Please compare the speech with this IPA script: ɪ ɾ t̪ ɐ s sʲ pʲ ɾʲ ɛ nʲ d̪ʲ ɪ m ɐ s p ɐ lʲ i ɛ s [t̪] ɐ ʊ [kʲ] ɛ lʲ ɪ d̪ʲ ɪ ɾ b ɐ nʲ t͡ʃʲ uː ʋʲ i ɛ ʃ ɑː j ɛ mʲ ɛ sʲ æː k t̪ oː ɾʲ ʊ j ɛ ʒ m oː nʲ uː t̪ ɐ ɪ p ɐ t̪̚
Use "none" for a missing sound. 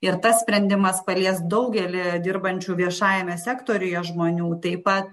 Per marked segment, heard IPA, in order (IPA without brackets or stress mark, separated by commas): d̪, ɡʲ